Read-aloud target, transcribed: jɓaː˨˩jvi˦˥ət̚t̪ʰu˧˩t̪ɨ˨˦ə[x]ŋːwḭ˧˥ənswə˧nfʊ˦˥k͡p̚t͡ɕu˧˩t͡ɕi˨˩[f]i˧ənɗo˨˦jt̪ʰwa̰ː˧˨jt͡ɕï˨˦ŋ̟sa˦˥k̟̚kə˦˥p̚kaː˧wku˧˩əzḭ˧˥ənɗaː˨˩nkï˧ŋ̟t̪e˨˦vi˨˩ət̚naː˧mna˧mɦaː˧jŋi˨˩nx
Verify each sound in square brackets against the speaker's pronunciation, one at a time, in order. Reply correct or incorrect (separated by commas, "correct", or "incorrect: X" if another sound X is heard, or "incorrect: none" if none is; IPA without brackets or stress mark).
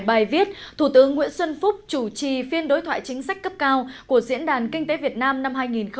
incorrect: none, correct